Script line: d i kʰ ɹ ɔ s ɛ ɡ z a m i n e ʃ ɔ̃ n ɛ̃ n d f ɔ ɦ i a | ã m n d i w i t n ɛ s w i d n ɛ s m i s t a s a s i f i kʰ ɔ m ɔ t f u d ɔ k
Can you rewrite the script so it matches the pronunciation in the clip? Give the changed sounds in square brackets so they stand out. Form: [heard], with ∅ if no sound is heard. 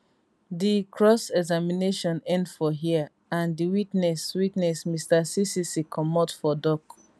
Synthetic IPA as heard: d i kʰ ɹ ɔ s ɛ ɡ z a m i n e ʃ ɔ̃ n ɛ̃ n d f ɔ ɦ i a | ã [∅] n d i w i t n ɛ s w i [t] n ɛ s m i s t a s [i] s i [s] i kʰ ɔ m ɔ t f [ɔ] d ɔ k